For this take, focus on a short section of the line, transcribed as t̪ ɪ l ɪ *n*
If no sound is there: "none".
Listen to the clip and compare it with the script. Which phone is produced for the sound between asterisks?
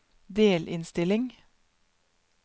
ŋ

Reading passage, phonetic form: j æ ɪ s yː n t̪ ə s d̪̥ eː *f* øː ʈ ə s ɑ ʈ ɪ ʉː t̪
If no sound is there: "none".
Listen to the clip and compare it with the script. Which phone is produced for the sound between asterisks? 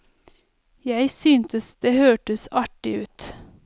h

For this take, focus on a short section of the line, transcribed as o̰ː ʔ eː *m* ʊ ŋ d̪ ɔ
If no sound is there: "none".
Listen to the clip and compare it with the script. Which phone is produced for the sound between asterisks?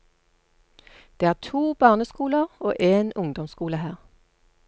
n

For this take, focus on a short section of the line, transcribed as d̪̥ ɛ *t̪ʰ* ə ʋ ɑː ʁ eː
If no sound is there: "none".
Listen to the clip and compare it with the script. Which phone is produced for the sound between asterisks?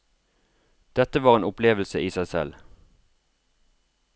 t̪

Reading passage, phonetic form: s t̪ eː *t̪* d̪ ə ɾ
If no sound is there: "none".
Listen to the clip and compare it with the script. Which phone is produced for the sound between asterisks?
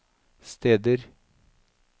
none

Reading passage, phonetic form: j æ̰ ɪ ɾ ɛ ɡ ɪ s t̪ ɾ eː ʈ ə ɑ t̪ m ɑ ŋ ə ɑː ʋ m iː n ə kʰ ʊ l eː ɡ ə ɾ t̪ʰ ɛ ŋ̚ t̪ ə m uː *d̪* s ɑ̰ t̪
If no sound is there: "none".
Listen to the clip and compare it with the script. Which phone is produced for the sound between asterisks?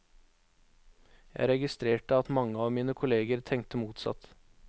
t̪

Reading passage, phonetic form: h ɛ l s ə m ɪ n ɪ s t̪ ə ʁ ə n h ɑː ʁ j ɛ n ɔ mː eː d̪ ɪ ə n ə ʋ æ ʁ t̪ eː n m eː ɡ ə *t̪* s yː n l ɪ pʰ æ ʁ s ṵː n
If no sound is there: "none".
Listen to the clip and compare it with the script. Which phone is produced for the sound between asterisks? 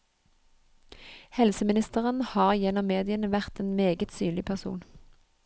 t̪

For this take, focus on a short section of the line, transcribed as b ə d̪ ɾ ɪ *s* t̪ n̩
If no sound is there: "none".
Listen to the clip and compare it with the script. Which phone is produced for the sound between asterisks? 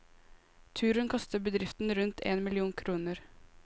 f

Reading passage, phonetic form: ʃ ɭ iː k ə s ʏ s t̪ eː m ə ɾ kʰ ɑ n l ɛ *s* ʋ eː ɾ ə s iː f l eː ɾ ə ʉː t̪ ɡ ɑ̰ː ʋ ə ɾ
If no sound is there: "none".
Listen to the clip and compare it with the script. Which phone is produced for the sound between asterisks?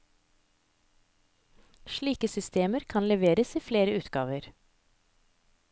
none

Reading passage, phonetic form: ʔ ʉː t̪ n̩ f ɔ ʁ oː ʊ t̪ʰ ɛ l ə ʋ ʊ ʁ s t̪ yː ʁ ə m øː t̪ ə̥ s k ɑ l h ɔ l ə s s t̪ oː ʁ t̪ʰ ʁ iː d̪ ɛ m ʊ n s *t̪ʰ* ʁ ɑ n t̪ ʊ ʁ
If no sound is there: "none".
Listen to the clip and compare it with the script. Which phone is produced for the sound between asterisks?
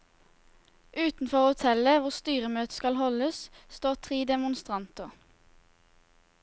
t̪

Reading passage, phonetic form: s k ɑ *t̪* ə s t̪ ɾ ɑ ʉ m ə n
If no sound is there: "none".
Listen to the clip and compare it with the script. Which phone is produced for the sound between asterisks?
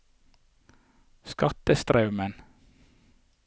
t̪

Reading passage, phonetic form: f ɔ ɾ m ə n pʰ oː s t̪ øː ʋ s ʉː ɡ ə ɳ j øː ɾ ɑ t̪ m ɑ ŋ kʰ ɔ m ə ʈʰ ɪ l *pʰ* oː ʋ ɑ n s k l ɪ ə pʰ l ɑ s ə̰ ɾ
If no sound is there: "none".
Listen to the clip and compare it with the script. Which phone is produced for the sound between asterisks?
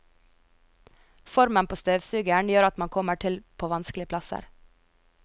pʰ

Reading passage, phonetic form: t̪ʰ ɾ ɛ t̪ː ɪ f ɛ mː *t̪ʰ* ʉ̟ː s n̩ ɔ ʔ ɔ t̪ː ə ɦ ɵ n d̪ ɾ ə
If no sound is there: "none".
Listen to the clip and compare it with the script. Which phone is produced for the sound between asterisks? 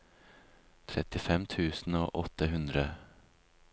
t̪ʰ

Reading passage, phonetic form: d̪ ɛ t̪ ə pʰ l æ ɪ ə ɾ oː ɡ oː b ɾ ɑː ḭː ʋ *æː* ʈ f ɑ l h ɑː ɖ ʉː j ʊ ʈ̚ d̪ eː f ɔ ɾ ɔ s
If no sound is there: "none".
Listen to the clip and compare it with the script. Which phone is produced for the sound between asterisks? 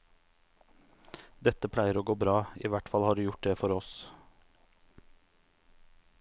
æ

